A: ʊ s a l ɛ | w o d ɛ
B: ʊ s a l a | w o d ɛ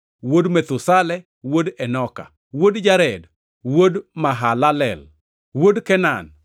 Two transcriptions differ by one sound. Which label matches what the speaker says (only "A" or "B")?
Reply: A